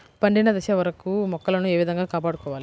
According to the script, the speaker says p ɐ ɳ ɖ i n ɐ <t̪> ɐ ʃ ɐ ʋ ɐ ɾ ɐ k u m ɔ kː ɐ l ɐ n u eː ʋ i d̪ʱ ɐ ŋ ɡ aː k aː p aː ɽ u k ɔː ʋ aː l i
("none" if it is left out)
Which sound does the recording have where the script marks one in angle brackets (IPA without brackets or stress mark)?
d̪